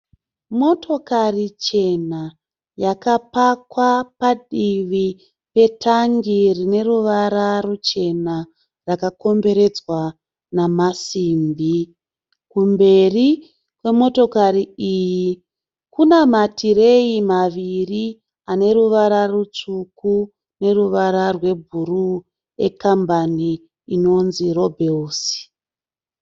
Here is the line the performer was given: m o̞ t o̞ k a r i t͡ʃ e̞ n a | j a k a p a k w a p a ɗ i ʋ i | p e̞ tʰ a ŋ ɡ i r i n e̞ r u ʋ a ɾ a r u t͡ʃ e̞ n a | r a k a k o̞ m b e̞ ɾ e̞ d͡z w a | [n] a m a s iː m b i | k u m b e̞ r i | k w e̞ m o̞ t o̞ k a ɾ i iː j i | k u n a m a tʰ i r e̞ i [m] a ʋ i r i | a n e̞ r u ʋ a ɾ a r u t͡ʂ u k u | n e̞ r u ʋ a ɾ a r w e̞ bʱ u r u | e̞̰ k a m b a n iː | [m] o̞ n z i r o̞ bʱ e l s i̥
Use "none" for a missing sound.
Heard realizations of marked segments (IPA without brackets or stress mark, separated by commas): n, m, n